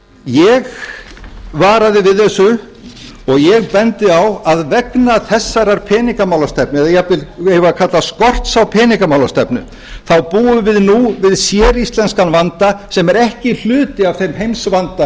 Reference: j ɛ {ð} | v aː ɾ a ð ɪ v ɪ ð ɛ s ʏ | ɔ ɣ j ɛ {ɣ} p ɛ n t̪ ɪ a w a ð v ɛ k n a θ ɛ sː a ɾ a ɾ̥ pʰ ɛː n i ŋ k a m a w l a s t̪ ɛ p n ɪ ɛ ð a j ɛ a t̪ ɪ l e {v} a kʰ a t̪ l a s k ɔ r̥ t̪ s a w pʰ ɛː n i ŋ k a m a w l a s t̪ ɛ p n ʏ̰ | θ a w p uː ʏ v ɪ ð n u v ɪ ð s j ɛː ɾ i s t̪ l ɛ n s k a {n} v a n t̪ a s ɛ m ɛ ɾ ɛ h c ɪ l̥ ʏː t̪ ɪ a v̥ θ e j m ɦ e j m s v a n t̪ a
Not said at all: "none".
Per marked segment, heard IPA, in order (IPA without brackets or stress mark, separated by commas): ɣ, ɣ, v, n